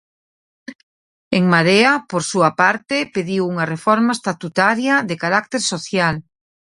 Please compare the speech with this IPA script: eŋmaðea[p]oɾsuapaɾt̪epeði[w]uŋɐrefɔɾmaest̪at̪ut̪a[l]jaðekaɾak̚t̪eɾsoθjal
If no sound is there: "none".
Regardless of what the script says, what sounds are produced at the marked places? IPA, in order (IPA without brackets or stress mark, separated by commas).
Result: p, w, ɾ